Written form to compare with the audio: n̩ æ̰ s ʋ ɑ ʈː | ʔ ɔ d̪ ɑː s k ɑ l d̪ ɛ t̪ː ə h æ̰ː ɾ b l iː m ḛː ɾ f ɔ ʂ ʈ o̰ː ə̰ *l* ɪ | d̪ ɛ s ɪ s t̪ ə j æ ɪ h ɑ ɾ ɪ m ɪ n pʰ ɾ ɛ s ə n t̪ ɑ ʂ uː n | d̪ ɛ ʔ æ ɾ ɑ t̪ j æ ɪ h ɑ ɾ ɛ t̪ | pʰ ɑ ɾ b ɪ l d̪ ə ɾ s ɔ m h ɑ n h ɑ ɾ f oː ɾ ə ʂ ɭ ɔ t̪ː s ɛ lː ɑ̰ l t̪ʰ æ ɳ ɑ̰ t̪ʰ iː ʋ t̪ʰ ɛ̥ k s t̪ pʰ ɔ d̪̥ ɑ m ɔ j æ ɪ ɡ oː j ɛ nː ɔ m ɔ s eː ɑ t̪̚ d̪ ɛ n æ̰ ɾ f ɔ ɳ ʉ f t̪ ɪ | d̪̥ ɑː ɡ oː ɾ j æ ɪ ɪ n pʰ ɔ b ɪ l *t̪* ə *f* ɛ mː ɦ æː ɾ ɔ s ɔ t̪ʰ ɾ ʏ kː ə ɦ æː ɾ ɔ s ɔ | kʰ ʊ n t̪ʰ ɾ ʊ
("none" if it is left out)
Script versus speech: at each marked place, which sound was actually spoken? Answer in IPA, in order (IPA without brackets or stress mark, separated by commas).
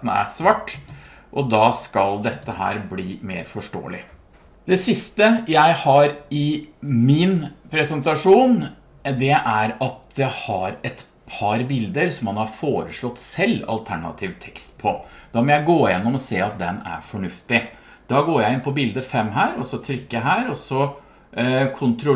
l, d̪, f